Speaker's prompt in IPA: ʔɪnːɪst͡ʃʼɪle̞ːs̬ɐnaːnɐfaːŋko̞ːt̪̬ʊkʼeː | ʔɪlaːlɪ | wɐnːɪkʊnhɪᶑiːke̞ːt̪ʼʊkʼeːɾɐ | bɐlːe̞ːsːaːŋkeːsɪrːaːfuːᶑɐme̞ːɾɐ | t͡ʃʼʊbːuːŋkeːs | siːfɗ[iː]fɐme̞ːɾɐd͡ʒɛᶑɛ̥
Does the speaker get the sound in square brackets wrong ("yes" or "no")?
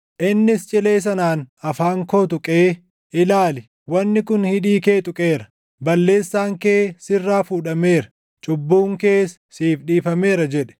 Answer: no